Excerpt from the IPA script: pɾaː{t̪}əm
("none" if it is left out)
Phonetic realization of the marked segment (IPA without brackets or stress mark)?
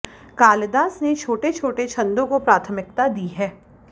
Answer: t̪ʰ